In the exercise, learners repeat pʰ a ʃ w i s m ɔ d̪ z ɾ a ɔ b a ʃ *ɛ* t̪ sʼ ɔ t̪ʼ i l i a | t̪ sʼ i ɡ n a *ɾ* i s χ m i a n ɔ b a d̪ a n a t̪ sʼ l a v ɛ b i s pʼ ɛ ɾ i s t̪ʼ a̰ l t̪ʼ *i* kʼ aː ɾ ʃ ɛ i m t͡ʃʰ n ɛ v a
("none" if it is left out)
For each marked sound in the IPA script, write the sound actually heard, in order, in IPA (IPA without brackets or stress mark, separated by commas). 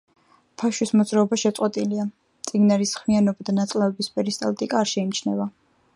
ɛ, ɾ, i